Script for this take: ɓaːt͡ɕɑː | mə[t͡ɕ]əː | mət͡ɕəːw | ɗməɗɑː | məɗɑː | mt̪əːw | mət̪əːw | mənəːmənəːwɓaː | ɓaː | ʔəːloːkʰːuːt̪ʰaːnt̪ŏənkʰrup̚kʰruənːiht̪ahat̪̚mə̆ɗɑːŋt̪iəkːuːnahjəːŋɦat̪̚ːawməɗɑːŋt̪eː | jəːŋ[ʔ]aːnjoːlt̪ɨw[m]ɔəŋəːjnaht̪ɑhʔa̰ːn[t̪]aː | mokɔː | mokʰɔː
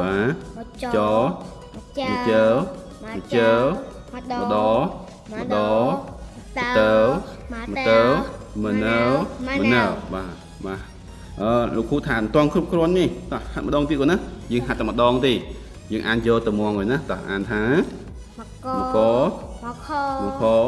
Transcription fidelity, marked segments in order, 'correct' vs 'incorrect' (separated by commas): correct, correct, correct, incorrect